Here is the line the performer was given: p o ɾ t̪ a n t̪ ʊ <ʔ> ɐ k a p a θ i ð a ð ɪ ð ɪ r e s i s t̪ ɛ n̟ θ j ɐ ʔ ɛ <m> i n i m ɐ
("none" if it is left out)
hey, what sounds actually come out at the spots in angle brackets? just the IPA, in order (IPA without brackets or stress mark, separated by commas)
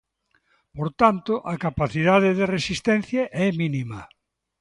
ʔ, m